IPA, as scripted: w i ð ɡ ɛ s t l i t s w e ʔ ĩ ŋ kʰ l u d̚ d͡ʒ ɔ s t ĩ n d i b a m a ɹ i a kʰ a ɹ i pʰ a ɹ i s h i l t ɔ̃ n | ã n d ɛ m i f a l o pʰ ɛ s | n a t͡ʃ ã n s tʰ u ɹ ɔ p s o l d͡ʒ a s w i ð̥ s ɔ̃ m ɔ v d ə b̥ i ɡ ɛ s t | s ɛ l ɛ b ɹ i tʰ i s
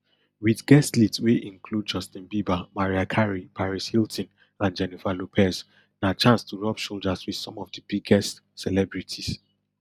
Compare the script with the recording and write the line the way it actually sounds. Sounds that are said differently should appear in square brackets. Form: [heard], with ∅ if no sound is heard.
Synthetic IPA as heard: w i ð ɡ ɛ s t l i t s w e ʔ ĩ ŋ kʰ l u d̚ d͡ʒ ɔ s t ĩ n [b] i b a m a ɹ i a kʰ a ɹ i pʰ a ɹ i s h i l t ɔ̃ n | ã n [d͡ʒ] ɛ [n] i f a l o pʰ ɛ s | n a t͡ʃ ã n s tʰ u ɹ ɔ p [ʃ] o l d͡ʒ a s w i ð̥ s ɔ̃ m ɔ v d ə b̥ i ɡ ɛ s t | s ɛ l ɛ b ɹ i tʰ i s